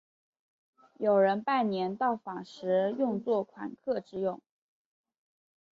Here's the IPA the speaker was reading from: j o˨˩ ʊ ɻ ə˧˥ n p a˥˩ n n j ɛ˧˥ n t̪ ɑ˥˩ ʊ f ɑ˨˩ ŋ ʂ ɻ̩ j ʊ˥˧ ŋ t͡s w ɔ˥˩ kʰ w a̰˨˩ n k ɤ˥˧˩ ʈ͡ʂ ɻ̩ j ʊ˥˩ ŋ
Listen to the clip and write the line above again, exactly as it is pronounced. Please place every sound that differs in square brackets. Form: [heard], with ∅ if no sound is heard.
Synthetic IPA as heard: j o˨˩ ʊ ɻ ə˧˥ n p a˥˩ n n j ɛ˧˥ n t̪ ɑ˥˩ ʊ f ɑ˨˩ ŋ ʂ ɻ̩ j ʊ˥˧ ŋ t͡s w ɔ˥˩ kʰ w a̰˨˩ n [kʰ] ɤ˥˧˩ ʈ͡ʂ ɻ̩ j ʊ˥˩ ŋ